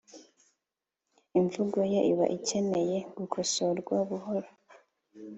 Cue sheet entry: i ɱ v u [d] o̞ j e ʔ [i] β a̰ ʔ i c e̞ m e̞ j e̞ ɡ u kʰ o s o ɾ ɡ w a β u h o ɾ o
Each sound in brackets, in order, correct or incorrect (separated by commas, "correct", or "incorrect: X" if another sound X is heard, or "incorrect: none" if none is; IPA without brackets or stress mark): incorrect: ɡ, correct